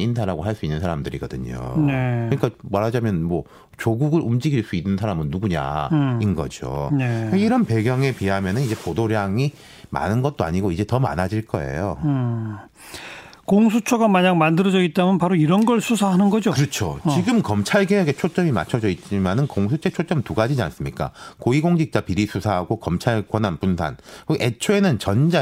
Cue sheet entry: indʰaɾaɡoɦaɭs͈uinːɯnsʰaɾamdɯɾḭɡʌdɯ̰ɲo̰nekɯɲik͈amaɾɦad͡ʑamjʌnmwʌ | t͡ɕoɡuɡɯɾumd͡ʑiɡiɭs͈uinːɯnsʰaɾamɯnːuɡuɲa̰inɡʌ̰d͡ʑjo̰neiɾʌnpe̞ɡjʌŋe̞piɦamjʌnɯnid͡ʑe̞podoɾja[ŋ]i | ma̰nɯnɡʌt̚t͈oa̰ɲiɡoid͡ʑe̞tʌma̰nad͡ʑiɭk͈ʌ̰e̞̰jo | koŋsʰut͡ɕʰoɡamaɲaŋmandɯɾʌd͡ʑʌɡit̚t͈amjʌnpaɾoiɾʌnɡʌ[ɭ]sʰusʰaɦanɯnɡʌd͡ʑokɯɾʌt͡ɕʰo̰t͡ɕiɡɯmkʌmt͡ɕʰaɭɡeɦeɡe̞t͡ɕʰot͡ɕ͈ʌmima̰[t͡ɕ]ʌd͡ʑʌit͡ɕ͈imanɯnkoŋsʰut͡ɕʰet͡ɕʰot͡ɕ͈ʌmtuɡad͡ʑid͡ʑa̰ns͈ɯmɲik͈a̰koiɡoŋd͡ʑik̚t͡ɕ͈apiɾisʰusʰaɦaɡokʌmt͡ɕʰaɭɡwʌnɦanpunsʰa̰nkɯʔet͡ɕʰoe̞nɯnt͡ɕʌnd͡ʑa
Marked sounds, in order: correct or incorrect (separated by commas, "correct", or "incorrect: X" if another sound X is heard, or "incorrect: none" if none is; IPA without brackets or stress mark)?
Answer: correct, correct, incorrect: t͡ɕʰ